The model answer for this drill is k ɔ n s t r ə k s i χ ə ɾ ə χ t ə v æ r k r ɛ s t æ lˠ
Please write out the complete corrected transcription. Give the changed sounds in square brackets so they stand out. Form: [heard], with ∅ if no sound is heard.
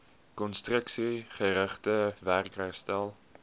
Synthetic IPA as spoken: k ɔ n s t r ə k s i χ ə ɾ ə χ t ə v æ r k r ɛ s t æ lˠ